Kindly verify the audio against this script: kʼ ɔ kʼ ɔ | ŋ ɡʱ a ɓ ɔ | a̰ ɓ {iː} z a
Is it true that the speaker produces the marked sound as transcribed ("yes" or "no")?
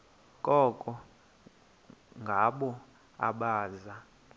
no